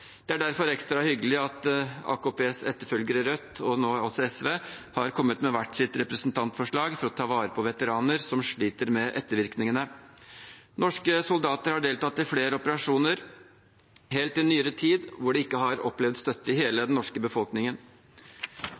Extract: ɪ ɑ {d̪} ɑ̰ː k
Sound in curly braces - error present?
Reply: yes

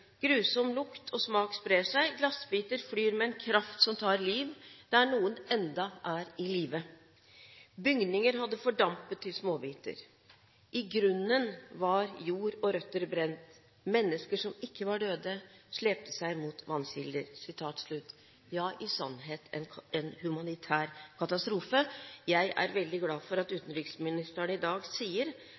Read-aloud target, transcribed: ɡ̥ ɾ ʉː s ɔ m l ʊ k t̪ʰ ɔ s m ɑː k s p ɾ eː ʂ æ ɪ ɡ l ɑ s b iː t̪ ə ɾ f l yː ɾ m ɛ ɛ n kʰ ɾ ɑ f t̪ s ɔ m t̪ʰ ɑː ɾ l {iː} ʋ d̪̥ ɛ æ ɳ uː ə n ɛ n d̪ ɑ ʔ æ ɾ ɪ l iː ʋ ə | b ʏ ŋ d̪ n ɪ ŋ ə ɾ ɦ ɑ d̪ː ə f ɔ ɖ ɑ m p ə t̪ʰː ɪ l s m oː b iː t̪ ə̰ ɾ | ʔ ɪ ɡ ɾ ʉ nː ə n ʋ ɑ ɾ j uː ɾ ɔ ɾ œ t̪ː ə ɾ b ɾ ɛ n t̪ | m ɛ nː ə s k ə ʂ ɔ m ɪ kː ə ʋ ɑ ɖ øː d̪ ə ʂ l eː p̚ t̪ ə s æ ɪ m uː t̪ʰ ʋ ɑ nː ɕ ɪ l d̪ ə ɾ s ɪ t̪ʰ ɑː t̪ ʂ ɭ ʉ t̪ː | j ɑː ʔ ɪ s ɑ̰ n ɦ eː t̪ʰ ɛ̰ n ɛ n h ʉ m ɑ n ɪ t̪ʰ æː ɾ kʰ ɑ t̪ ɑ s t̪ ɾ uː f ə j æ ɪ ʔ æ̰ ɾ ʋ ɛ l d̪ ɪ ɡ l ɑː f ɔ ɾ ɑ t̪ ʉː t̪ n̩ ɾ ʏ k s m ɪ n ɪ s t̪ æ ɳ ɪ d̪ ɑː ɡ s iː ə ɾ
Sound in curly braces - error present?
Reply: no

